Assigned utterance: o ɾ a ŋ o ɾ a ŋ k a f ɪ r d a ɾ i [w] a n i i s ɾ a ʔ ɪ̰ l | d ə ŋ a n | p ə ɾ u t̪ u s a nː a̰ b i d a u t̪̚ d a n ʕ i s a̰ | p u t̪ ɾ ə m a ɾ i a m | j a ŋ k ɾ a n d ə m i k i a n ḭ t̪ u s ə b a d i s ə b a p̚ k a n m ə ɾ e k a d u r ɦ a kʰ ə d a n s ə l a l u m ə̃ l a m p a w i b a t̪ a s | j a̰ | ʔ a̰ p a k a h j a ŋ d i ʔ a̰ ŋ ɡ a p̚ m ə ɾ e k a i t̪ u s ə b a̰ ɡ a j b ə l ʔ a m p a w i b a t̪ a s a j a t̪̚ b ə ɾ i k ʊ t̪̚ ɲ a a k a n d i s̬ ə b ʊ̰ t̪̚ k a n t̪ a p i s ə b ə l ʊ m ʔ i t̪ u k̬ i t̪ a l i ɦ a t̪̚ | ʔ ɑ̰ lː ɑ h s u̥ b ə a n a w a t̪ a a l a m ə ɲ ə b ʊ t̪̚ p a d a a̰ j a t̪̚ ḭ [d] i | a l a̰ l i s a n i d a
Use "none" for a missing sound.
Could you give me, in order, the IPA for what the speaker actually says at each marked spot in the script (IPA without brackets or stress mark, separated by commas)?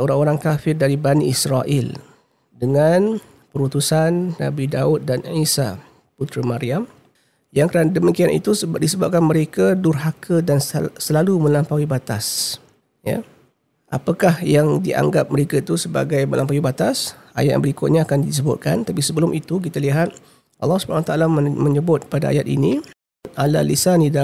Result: b, n